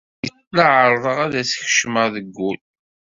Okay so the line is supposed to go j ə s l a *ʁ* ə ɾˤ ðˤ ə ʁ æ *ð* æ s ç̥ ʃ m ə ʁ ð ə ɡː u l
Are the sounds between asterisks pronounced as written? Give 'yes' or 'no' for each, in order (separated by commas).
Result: no, yes